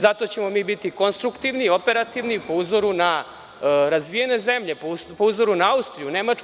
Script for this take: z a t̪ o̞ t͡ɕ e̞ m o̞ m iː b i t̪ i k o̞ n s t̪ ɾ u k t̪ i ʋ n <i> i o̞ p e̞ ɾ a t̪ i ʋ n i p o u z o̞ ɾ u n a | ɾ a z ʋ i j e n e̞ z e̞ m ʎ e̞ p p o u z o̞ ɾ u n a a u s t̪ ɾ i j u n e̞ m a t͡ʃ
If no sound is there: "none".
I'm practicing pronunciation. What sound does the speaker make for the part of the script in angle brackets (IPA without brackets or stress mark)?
i